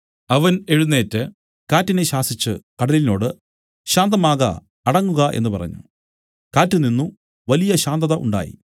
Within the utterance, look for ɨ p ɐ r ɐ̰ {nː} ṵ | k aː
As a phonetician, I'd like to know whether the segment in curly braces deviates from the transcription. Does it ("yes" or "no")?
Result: yes